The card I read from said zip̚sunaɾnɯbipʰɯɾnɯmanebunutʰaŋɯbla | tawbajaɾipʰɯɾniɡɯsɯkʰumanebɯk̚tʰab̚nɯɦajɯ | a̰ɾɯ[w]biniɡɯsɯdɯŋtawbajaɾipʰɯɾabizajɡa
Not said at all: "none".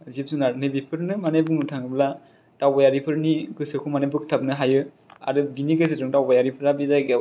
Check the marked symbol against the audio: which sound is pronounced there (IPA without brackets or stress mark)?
none